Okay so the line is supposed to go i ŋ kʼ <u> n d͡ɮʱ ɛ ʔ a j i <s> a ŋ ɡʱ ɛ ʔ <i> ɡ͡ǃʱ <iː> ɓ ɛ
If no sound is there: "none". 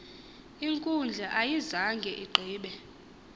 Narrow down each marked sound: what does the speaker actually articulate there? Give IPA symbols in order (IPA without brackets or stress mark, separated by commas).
u, z, i, iː